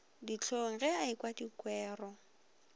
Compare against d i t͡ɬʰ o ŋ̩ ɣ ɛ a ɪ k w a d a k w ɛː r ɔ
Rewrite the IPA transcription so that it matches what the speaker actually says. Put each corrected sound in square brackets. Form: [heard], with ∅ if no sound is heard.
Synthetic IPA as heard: d i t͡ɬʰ o ŋ̩ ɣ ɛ a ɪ k w a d [i] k w ɛː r ɔ